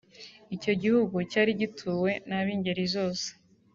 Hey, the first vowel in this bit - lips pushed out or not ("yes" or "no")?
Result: no